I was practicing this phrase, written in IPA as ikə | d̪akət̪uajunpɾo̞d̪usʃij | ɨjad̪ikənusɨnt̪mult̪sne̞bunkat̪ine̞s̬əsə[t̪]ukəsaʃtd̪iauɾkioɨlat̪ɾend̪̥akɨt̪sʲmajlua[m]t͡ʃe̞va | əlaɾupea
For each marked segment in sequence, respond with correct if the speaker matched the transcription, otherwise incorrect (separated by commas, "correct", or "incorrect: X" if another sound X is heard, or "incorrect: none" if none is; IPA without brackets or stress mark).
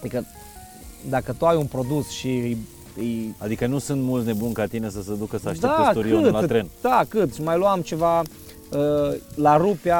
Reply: incorrect: d̪, correct